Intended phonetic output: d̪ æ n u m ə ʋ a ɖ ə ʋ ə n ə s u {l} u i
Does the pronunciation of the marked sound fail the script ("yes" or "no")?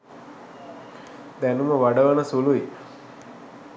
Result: no